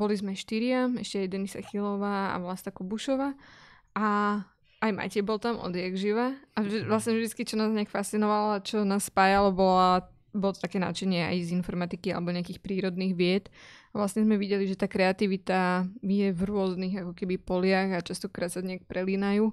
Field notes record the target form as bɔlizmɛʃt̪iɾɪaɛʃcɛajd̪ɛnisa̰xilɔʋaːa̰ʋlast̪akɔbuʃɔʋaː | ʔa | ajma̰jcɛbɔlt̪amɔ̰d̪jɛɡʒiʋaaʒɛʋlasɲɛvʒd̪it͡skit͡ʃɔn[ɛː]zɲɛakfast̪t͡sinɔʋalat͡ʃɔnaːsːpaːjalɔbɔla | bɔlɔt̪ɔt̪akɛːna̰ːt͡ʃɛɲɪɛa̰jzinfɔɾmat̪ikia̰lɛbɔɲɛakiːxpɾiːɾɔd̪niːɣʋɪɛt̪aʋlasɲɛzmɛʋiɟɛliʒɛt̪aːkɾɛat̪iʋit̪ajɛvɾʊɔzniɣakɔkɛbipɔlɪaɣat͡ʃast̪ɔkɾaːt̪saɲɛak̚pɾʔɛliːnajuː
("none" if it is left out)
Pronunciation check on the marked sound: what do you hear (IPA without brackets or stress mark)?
aː